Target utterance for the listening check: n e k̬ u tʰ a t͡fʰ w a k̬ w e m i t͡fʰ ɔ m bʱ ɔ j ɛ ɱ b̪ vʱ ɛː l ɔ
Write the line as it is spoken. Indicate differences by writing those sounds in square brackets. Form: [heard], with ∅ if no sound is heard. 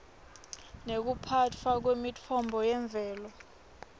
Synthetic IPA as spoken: n e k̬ u [pʰ] a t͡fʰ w a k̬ w e m i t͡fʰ ɔ m bʱ ɔ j ɛ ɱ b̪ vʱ ɛː l ɔ